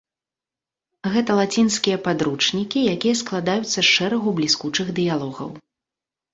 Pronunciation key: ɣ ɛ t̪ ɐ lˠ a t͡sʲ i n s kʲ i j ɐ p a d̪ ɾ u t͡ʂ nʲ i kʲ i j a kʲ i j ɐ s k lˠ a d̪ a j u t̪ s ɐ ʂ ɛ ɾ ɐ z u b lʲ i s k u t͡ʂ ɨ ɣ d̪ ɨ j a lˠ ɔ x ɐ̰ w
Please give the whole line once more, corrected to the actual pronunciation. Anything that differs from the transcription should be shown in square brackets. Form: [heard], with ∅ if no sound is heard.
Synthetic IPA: ɣ ɛ t̪ ɐ lˠ a t͡sʲ i n s kʲ i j ɐ p a d̪ ɾ u t͡ʂ nʲ i kʲ i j a kʲ i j ɐ s k lˠ a d̪ a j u t̪ [sː] ɐ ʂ ɛ ɾ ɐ [ɣ] u b lʲ i s k u t͡ʂ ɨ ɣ d̪ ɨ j a lˠ ɔ [ɣ] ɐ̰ w